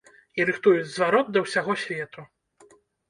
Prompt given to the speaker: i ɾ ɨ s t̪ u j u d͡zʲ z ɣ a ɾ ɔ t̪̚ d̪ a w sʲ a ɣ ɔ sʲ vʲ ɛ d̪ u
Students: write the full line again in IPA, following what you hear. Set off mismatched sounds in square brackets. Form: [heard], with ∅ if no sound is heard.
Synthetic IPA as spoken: i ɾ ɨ [x] t̪ u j u d͡zʲ z [v] a ɾ ɔ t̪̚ d̪ [ɐ] w sʲ a ɣ ɔ sʲ vʲ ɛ [t̪] u